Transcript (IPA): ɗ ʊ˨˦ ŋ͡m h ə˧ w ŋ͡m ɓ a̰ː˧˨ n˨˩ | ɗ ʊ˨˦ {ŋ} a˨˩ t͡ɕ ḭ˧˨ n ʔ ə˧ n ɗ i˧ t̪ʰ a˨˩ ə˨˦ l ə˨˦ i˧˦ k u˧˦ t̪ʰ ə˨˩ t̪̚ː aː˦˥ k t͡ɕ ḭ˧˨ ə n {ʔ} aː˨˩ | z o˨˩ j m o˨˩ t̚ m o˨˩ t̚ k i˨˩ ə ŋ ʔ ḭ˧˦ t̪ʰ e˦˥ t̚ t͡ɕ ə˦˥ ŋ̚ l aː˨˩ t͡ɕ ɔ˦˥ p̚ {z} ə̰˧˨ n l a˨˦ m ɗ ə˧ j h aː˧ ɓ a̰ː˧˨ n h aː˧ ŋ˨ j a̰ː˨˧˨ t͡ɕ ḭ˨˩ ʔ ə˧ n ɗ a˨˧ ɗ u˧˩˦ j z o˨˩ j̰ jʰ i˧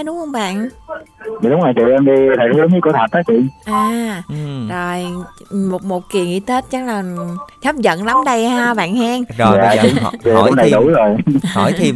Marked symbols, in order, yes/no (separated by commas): no, yes, yes